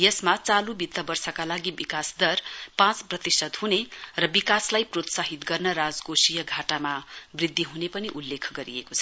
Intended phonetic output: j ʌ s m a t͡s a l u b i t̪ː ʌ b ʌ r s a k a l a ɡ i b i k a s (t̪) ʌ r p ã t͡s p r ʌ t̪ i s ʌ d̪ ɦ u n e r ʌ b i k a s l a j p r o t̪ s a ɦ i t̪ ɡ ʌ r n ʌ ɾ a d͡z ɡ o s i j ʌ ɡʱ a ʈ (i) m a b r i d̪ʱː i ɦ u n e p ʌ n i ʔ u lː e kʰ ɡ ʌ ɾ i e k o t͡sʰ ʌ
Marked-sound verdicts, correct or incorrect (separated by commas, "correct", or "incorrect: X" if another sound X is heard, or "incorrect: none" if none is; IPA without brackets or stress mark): incorrect: d̪, incorrect: a